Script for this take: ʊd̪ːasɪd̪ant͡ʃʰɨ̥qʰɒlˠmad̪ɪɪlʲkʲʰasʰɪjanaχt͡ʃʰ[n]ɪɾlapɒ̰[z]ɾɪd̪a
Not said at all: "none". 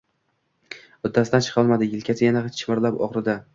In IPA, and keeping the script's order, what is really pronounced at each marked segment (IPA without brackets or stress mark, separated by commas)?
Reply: m, ʁ